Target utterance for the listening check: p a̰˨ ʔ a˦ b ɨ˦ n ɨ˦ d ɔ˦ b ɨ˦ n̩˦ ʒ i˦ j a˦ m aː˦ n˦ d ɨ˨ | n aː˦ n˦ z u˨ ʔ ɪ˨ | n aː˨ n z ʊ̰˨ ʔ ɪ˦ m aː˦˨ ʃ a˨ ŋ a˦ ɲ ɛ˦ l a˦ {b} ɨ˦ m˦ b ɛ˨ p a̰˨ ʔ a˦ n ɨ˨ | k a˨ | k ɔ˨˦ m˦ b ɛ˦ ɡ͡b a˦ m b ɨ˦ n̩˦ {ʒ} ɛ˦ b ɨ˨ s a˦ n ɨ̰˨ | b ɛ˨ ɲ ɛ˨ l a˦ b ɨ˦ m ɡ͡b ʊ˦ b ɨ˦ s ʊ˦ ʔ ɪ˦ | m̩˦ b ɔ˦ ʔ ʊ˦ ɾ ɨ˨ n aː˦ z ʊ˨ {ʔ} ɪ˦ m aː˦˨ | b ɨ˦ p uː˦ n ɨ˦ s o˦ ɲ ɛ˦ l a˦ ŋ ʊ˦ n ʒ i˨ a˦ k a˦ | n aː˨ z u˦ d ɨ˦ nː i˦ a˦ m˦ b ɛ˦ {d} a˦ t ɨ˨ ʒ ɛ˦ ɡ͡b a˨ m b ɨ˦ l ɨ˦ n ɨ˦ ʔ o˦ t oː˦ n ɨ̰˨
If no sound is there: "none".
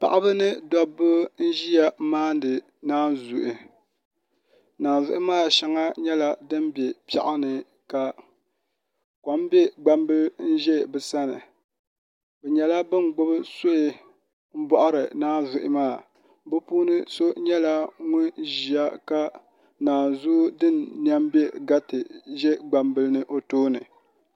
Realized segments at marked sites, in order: d, ʒ, ʔ, ɡ

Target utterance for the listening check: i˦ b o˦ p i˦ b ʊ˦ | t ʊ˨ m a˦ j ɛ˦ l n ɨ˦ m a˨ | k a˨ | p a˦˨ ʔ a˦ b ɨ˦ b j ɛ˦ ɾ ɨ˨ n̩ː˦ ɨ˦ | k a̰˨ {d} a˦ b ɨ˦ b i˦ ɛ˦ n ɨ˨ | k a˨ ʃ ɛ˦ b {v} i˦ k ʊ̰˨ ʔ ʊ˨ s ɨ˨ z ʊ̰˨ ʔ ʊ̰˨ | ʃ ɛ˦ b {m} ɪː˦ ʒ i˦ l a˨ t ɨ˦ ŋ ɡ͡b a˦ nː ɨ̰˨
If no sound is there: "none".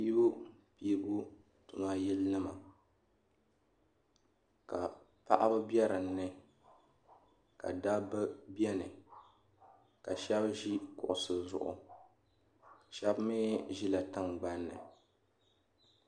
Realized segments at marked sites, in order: d, ʒ, m

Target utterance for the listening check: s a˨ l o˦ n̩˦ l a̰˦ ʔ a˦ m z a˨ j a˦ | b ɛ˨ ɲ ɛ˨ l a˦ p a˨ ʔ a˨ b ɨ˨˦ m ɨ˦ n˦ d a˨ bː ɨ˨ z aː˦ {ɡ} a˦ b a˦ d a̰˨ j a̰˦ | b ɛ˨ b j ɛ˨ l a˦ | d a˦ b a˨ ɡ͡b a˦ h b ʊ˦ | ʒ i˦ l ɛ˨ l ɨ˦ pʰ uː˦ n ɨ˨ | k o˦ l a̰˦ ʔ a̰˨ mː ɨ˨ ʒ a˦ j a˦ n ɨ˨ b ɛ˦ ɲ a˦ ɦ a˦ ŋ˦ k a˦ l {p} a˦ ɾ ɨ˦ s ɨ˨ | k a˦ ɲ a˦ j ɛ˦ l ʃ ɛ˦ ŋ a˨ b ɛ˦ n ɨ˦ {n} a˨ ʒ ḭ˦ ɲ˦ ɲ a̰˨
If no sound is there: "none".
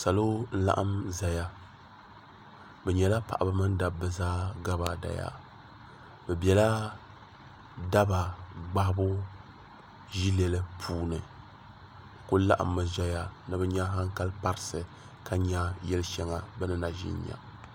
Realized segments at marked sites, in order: ɡ, p, n

